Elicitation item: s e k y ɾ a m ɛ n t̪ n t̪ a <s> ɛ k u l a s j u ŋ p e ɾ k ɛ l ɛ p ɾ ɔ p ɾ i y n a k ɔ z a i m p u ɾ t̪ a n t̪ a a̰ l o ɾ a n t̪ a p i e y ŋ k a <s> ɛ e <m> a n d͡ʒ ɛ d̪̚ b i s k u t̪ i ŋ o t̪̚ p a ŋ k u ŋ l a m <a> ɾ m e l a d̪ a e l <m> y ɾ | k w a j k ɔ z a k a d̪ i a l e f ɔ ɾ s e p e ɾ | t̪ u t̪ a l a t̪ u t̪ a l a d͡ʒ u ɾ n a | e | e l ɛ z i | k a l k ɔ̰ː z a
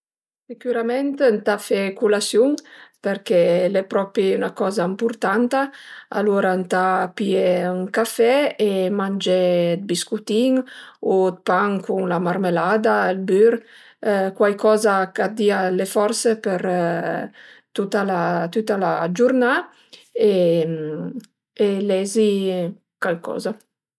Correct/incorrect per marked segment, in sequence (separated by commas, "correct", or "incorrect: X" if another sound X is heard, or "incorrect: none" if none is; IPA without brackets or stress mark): incorrect: f, incorrect: f, correct, correct, incorrect: b